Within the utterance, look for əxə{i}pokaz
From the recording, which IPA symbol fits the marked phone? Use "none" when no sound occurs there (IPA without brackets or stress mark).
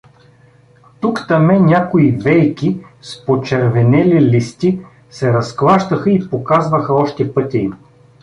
i